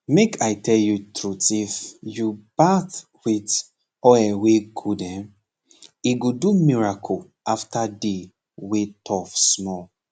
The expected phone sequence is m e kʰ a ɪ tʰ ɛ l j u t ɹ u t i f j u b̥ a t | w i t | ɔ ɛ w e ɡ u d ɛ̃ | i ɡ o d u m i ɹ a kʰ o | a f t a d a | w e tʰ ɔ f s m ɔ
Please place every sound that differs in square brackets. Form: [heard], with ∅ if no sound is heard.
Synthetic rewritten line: m e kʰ a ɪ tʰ ɛ l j u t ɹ u t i f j u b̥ a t | w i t | ɔ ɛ w e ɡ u d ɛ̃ | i ɡ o d u m i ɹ a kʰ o | a f t a d [e] | w e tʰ ɔ f s m ɔ

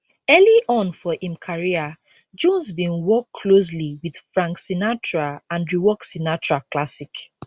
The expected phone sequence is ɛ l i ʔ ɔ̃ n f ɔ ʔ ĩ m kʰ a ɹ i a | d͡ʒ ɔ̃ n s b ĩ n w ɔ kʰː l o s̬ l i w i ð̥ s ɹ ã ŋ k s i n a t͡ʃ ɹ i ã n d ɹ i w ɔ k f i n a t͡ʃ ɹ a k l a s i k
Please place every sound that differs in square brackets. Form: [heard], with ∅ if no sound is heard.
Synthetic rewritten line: ɛ l i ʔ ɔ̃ n f ɔ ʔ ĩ m kʰ a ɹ i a | d͡ʒ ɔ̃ n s b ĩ n w ɔ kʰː l o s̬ l i w i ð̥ [f] ɹ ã ŋ k s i n a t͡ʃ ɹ [a] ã n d ɹ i w ɔ k [s] i n a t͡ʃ ɹ a k l a s i k

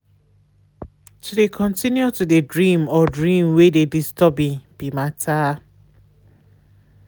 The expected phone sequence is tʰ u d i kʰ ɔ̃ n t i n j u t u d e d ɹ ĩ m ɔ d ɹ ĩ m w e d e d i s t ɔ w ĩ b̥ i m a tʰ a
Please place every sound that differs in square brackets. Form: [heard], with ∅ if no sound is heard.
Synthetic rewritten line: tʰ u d [e] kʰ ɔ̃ n t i n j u t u d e d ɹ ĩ m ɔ d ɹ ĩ m w e d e d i s t ɔ [b] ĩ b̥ i m a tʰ a

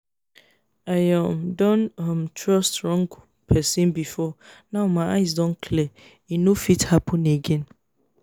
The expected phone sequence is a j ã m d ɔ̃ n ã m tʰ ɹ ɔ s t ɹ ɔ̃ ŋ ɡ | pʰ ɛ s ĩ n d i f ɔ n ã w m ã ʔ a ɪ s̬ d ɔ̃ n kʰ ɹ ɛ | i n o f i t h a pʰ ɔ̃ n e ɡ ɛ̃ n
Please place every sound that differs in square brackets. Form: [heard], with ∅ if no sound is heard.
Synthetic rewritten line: a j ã m d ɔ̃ n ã m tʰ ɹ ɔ s t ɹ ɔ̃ ŋ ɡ | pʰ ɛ s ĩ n [b] i f ɔ n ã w m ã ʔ a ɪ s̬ d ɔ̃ n kʰ [l] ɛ | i n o f i t h a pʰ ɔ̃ n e ɡ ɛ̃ n

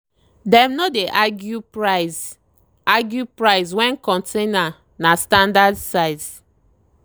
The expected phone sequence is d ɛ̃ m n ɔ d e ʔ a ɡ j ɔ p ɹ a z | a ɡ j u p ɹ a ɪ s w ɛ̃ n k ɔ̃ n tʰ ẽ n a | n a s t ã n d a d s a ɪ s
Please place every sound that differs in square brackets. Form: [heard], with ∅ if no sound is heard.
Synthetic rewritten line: d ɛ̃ m n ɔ d e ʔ a ɡ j [u] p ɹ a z | a ɡ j u p ɹ a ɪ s w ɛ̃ n k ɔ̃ n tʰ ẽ n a | n a s t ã n d a d s a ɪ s

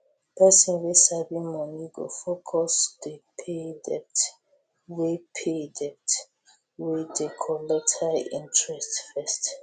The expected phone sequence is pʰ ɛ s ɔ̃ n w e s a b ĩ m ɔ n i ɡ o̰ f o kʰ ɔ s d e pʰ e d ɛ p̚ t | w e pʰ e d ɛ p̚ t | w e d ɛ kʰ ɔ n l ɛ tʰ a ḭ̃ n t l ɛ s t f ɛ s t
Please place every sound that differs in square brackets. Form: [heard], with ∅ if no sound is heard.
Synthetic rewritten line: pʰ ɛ s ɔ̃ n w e s a b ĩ m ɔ n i ɡ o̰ f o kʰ ɔ s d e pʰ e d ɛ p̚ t | w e pʰ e d ɛ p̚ t | w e d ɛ kʰ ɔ [∅] l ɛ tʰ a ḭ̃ n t [ɹ] ɛ s t f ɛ s t

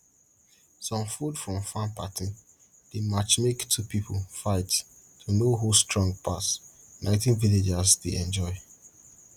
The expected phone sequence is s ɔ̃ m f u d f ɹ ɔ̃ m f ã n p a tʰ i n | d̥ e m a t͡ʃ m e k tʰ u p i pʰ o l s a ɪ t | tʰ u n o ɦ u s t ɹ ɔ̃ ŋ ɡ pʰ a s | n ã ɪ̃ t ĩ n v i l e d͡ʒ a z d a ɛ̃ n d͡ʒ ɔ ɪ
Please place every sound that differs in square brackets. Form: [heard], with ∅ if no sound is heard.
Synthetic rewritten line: s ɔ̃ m f u d f ɹ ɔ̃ m f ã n p a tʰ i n | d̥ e m a t͡ʃ m e k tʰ u p i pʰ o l [f] a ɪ t | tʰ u n o ɦ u s t ɹ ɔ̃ ŋ ɡ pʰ a s | n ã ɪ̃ t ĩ n v i l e d͡ʒ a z d [e] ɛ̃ n d͡ʒ ɔ ɪ

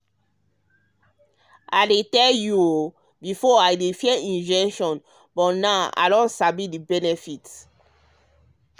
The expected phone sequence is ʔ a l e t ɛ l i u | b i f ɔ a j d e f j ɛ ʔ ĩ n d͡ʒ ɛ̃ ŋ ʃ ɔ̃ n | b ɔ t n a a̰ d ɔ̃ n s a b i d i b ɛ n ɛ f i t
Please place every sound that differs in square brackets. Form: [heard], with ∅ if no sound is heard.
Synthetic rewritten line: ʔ a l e t ɛ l [j] u | b i f ɔ a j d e f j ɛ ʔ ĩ n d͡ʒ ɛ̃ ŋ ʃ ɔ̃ n | b ɔ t n a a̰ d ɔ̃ n s a b i d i b ɛ n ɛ f i t

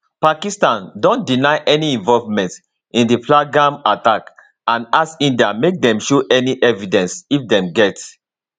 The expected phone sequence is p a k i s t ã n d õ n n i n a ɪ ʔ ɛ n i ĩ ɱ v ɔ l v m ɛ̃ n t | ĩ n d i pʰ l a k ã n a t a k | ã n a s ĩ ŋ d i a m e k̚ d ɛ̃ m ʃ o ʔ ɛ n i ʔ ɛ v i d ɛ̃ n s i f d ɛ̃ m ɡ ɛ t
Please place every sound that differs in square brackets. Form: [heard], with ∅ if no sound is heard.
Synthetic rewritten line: p a k i s t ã n d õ n [d] i n a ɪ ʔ ɛ n i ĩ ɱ v ɔ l v m ɛ̃ n t | ĩ n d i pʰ l a [ɡ] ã [m] a t a k | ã n a s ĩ [n] d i a m e k̚ d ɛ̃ m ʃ o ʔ ɛ n i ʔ ɛ v i d ɛ̃ n s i f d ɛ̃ m ɡ ɛ t

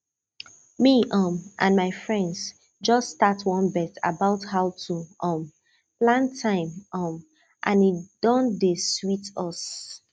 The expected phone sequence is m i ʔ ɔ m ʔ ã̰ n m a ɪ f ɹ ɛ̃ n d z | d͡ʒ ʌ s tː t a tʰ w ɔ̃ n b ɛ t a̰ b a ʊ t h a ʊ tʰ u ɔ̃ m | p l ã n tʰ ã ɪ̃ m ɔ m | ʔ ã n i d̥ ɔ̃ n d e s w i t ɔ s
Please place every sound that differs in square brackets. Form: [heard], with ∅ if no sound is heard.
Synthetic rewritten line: m i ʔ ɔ m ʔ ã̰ n m a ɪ f ɹ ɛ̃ n d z | d͡ʒ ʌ s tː t a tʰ w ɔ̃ n b ɛ t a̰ b a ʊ t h a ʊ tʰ u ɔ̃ m | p l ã n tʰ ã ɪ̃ m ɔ m | ʔ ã n i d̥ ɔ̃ n d e s w i t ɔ s

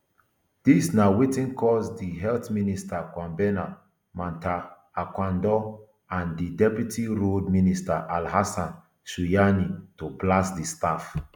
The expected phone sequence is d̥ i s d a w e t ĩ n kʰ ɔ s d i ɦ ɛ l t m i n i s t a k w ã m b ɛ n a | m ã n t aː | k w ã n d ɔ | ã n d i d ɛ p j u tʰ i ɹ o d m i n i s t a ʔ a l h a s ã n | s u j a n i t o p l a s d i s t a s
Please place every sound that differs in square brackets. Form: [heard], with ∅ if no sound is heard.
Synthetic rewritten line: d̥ i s [n] a w e t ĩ n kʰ ɔ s d i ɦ ɛ l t m i n i s t a k w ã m b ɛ n a | m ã n t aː | k w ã n d ɔ | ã n d i d ɛ p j u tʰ i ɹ o d m i n i s t a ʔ a l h a s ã n | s u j a n i t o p l a s d i s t a [f]

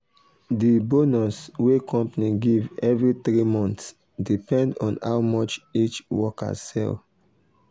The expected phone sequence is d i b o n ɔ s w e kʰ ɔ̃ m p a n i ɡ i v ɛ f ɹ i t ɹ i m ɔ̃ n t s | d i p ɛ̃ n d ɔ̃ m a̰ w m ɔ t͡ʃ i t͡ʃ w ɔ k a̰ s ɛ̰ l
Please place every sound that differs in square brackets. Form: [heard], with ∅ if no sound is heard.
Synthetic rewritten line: d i b o n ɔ s w e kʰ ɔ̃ m p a n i ɡ i v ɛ [v] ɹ i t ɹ i m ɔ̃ n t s | d i p ɛ̃ n d ɔ̃ [n] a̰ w m ɔ t͡ʃ i t͡ʃ w ɔ k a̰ s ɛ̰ l

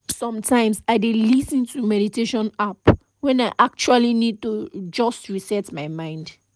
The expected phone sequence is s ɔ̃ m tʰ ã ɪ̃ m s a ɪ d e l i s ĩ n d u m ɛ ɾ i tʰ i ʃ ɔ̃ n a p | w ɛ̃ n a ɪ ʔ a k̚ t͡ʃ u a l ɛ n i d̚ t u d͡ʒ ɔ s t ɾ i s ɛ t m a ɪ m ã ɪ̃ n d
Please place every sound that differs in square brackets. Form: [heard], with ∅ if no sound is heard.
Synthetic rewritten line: s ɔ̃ m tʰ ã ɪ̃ m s a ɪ d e l i s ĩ n [t] u m ɛ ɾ i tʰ [e] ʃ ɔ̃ n a p | w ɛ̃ n a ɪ ʔ a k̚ t͡ʃ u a l [i] n i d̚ t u d͡ʒ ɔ s t [ɹ] i s ɛ t m a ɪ m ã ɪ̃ n d

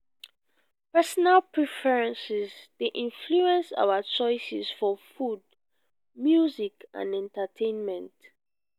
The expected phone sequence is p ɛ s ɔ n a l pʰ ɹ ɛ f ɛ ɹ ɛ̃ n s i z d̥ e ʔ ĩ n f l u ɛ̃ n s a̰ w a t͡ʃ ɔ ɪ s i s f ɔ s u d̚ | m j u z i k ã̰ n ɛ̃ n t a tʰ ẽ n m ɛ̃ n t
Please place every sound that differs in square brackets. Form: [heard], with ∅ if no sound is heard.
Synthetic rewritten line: p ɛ s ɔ n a l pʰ ɹ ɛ f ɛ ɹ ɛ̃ n s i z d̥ e ʔ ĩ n f l u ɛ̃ n s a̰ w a t͡ʃ ɔ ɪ s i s f ɔ [f] u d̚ | m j u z i k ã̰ n ɛ̃ n t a tʰ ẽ n m ɛ̃ n t

